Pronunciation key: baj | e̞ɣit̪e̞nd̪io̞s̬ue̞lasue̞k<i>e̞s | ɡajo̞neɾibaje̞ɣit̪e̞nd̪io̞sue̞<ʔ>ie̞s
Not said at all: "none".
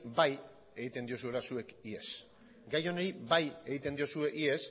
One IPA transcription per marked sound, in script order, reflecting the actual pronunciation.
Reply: i, ʔ

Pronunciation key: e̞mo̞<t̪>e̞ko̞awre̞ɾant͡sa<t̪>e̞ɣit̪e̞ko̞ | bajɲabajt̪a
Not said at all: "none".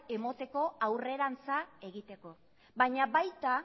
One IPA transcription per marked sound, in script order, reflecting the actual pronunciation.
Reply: t̪, none

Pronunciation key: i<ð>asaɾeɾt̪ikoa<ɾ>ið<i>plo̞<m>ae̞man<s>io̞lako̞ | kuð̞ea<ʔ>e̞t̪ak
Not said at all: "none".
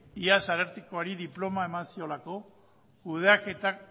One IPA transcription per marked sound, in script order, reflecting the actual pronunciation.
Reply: none, ɾ, i, m, s, k

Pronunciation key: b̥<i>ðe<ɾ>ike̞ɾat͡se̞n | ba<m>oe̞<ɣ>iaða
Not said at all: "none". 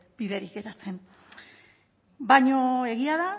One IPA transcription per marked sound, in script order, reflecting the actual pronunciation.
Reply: i, ɾ, ɲ, ɣ

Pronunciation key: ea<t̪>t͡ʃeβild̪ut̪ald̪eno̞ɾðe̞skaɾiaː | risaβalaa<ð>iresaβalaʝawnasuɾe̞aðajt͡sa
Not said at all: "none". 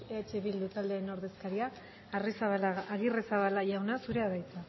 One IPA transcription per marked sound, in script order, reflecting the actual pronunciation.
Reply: none, ɣ

